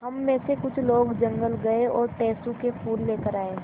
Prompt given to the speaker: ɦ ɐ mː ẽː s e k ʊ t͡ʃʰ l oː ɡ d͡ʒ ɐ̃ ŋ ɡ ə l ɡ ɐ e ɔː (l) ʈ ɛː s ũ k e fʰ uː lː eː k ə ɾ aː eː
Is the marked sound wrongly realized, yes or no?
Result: yes